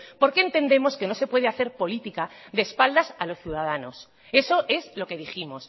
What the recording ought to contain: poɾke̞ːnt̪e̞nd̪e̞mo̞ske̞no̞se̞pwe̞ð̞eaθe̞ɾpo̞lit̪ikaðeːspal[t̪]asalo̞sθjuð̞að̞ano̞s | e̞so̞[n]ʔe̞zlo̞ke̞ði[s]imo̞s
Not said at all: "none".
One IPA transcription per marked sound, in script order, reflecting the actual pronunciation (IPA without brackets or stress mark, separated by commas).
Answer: d̪, none, x